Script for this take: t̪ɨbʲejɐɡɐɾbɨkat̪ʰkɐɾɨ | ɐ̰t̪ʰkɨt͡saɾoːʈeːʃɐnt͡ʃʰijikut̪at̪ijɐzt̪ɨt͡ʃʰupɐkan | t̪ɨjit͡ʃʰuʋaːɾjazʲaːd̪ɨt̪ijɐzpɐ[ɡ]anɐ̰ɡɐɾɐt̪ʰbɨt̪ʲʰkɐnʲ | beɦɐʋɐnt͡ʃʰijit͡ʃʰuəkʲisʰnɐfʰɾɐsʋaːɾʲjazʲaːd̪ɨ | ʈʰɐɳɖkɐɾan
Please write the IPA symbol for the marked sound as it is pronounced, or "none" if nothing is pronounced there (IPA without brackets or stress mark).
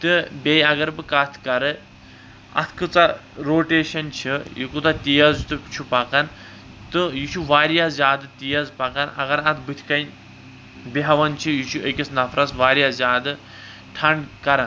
k